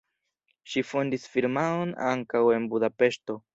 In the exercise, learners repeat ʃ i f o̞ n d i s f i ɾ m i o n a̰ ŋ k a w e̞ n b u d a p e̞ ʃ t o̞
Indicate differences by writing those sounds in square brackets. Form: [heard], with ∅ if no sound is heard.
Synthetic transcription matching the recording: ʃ i f o̞ n d i s f i ɾ m [a] o n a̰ ŋ k a w e̞ n b u d a p e̞ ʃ t o̞